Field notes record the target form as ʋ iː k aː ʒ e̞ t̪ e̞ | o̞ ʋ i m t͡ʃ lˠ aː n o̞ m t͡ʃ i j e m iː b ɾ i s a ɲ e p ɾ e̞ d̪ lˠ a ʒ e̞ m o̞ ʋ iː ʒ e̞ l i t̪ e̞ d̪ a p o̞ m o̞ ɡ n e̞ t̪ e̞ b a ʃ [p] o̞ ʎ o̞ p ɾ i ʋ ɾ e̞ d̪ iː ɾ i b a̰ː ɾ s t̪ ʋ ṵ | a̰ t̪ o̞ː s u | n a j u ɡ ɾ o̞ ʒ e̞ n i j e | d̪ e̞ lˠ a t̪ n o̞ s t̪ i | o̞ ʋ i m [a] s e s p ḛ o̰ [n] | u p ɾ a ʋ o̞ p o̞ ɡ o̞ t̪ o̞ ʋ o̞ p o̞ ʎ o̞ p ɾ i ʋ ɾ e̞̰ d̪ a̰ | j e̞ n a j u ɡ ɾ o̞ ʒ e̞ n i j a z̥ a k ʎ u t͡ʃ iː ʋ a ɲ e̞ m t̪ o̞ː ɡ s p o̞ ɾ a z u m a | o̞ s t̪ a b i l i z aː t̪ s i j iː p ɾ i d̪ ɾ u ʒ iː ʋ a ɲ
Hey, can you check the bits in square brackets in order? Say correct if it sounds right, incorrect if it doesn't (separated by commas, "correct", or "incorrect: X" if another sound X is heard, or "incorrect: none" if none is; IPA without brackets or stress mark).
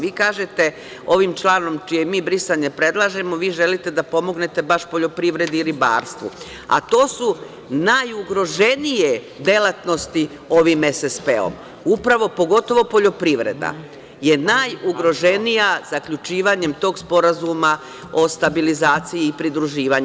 correct, incorrect: e, incorrect: m